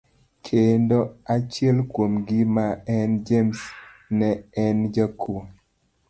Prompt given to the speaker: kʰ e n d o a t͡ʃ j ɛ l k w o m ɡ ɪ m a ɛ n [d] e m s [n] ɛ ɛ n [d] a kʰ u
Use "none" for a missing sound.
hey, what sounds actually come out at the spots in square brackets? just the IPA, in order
d͡ʒ, n, d͡ʒ

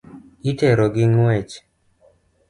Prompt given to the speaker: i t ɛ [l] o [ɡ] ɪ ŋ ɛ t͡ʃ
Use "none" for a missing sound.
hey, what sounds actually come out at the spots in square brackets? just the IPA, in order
ɾ, ɡ

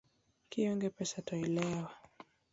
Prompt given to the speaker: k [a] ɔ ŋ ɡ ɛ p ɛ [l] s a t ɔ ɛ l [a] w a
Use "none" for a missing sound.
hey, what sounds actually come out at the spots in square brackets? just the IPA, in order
i, none, ɛ

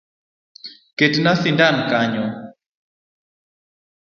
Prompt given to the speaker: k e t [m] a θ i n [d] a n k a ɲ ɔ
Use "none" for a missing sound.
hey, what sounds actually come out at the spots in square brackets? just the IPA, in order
n, d

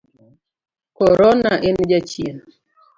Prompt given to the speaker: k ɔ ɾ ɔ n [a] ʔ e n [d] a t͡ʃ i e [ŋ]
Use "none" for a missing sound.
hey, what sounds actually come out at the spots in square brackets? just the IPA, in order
a, d͡ʒ, n

